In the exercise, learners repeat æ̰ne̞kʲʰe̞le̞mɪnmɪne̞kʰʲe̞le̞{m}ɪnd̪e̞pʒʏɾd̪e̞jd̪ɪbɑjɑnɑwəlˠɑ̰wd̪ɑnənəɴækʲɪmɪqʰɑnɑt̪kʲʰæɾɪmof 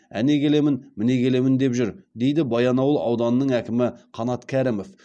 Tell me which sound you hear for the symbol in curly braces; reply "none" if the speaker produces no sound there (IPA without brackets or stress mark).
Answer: m